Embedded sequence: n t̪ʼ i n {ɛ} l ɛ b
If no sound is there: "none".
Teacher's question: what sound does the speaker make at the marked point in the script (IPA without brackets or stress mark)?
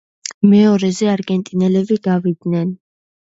ɛ